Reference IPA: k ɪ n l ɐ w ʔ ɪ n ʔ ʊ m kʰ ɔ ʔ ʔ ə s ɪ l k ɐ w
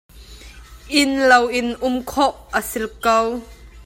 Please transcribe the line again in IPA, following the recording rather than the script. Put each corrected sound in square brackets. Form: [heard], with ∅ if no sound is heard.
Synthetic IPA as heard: [ʔ] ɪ n l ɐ w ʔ ɪ n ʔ ʊ m kʰ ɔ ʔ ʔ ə s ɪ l k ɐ w